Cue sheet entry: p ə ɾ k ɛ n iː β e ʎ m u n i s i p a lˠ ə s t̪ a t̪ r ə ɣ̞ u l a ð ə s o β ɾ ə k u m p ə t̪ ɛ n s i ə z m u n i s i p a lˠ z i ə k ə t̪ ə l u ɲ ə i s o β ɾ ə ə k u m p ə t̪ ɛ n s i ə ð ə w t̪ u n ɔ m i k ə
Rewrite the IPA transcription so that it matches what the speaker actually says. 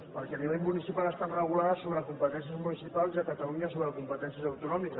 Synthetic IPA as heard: p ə ɾ k ɛ n i β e ʎ m u n i s i p a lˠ ə s t̪ a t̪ r ə ɣ̞ u l a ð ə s o β ɾ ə k u m p ə t̪ ɛ n s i ə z m u n i s i p a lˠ z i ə k ə t̪ ə l u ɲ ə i s o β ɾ ə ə k u m p ə t̪ ɛ n s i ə z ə w t̪ u n ɔ m i k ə